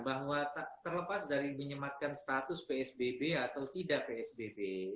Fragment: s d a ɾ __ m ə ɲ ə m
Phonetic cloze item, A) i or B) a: A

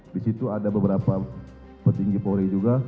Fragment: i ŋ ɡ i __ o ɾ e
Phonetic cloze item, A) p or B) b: A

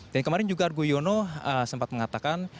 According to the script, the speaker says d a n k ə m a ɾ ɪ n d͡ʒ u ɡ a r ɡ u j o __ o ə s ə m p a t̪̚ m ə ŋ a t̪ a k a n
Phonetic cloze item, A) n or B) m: A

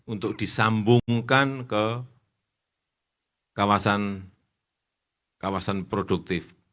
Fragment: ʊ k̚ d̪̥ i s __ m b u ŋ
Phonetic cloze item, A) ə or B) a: B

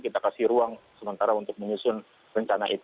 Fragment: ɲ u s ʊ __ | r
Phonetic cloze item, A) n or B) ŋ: A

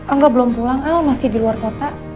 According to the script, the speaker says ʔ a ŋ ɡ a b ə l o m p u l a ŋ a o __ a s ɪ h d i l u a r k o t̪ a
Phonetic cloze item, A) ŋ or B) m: B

